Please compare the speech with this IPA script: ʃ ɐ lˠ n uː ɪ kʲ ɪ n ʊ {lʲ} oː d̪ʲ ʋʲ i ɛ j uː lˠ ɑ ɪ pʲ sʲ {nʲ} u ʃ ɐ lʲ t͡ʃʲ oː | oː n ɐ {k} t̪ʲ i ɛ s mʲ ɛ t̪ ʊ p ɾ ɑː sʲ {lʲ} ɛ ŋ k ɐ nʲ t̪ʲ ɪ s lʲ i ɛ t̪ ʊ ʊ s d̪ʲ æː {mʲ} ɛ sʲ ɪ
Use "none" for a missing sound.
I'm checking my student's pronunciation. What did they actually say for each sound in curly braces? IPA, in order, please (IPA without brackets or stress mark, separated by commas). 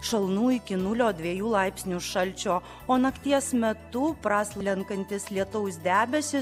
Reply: lʲ, nʲ, k, lʲ, bʲ